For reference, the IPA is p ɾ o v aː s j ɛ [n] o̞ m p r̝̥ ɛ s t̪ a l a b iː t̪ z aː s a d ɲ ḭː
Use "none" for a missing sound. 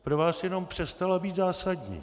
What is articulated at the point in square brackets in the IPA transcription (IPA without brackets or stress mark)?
n